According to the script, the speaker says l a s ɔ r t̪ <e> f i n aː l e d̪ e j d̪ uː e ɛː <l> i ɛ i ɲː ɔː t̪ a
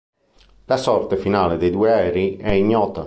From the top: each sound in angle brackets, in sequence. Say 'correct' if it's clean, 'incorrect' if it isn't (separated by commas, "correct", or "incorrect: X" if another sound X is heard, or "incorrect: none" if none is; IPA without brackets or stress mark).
correct, incorrect: ɾ